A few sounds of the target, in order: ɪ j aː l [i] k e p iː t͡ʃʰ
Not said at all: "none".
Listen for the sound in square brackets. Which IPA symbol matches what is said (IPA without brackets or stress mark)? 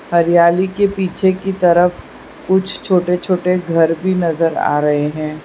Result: i